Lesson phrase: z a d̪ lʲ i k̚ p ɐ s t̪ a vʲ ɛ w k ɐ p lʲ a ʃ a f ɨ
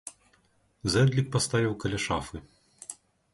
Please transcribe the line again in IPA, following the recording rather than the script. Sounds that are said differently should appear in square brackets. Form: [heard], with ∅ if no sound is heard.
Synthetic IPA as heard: z [ɛ] d̪ lʲ i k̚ p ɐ s t̪ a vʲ [i] w k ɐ [∅] lʲ a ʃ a f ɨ

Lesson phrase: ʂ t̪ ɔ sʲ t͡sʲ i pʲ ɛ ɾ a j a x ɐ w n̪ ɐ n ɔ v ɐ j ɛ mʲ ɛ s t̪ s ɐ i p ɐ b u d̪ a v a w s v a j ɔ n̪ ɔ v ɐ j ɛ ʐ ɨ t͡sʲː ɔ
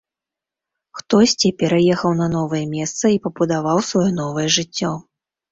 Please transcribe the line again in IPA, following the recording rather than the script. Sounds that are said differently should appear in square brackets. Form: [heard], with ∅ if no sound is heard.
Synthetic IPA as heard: [x] t̪ ɔ sʲ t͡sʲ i pʲ ɛ ɾ a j [ɛ] x ɐ w n̪ ɐ n ɔ v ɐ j ɛ mʲ ɛ s t̪ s ɐ i p ɐ b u d̪ a v a w s v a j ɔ n̪ ɔ v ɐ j ɛ ʐ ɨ t͡sʲː ɔ

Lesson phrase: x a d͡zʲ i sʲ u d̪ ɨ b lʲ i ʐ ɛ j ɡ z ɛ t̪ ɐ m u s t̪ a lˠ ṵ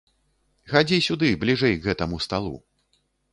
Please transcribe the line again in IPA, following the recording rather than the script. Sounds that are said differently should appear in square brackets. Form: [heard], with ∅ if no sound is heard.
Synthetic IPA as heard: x a d͡zʲ i sʲ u d̪ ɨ b lʲ i ʐ ɛ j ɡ [ɣ] ɛ t̪ ɐ m u s t̪ a lˠ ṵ

